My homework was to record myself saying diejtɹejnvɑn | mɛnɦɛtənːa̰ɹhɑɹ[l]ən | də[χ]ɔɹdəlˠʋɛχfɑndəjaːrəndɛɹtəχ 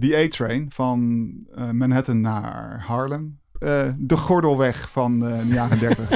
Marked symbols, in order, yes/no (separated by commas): yes, yes